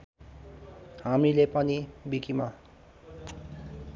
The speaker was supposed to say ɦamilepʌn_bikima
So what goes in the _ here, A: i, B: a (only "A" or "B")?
A